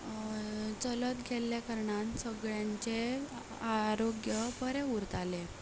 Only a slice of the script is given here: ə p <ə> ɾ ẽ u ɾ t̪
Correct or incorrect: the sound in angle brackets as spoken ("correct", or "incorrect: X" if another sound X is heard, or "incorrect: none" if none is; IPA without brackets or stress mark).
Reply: correct